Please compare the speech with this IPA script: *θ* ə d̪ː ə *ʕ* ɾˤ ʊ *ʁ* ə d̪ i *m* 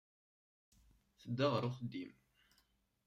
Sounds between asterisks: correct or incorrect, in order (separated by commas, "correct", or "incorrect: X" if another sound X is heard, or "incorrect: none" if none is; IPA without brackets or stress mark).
correct, incorrect: ʁ, incorrect: χ, correct